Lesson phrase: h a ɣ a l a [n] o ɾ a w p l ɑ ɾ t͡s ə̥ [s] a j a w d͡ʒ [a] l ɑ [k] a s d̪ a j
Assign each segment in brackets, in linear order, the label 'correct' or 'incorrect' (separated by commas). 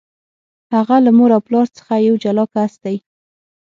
incorrect, incorrect, correct, correct